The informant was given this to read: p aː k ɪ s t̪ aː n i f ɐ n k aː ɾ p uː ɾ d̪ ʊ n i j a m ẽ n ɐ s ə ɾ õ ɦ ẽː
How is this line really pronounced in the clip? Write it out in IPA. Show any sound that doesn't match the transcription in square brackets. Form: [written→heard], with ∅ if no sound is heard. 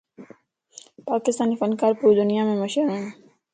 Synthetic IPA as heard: p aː k ɪ s t̪ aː n i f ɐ n k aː ɾ p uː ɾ d̪ ʊ n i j a m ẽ [n→m] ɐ [s→ʃ] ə ɾ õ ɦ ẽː